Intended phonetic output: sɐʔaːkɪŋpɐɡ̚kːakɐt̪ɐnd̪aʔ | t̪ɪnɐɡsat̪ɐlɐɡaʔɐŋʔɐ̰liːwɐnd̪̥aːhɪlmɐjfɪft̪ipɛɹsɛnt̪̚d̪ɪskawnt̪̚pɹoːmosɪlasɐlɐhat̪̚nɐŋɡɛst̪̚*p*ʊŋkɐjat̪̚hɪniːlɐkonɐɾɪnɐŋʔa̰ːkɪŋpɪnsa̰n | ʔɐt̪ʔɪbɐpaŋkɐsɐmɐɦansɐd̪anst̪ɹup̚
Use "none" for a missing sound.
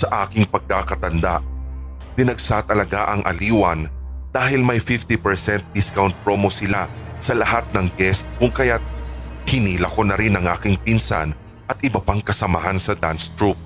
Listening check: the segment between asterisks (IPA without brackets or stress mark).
k